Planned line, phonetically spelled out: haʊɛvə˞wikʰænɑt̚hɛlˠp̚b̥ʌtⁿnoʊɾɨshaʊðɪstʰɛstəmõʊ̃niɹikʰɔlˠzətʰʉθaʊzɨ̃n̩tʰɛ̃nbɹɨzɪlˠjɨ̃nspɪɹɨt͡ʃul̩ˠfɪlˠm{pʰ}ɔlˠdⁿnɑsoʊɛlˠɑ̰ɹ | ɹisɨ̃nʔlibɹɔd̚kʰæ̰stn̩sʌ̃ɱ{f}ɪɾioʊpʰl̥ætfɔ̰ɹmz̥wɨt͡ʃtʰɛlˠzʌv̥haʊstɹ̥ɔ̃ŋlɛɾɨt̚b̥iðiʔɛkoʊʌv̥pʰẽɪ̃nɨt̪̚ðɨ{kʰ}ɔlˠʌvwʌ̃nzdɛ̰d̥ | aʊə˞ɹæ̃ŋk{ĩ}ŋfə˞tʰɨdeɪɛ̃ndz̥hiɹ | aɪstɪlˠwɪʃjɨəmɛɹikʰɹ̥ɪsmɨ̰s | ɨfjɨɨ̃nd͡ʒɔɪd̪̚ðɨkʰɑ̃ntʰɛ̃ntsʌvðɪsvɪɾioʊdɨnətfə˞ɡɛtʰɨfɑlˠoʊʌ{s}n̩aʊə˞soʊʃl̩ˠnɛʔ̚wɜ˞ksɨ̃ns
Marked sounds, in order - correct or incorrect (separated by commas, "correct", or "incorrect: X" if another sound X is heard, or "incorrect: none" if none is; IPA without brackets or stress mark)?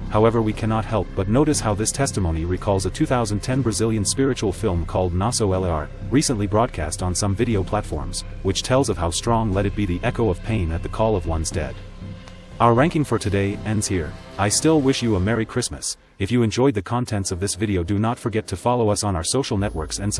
incorrect: kʰ, incorrect: v, correct, incorrect: ɪ̃, correct